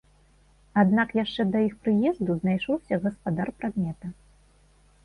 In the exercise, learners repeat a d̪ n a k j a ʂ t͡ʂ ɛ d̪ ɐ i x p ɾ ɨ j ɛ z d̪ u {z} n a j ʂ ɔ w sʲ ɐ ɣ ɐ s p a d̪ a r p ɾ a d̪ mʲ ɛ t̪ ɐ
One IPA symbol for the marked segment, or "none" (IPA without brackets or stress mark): z